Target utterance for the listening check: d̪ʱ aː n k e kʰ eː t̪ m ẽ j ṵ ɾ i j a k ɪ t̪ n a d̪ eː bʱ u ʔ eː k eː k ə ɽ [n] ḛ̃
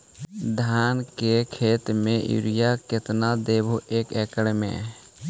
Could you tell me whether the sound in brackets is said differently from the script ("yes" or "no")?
yes